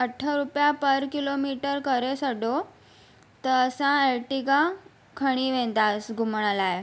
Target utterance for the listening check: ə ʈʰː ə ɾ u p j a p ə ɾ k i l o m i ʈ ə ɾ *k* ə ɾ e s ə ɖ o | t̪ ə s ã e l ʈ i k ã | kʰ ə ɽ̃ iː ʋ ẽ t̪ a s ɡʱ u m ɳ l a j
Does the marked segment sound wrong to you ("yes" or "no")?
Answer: no